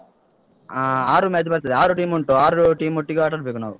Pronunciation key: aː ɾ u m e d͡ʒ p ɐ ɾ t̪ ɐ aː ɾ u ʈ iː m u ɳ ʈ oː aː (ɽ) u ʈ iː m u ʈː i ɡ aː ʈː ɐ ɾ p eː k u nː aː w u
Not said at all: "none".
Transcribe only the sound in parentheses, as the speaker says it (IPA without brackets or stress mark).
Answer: ɾ